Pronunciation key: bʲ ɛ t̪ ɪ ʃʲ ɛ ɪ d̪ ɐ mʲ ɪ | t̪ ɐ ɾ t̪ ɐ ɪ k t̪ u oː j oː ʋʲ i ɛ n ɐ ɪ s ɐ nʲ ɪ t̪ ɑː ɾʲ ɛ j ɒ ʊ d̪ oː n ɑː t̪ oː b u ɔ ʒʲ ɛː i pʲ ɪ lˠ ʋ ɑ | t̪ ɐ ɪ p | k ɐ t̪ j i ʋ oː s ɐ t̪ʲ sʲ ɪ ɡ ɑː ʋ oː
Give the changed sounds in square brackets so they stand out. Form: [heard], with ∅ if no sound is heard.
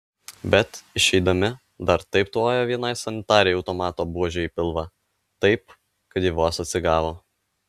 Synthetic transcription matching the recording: bʲ ɛ t̪ ɪ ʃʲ ɛ ɪ d̪ ɐ mʲ ɪ | [d̪] ɐ ɾ t̪ ɐ ɪ [p] t̪ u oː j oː ʋʲ i ɛ n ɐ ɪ s ɐ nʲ ɪ t̪ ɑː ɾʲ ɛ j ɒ ʊ [t̪] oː [m] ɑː t̪ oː b u ɔ ʒʲ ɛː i pʲ ɪ lˠ ʋ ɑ | t̪ ɐ ɪ p | k ɐ t̪ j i ʋ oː s ɐ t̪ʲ sʲ ɪ ɡ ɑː ʋ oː